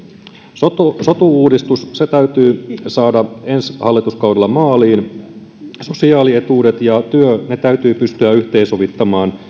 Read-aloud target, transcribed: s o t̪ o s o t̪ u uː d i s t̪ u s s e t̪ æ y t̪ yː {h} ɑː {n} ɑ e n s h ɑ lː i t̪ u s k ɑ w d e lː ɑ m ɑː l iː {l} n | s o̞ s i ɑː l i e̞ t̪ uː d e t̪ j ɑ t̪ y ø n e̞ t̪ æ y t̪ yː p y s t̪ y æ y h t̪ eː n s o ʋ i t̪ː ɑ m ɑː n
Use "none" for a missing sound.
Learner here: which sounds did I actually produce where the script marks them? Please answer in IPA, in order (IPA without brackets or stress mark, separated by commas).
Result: s, d, none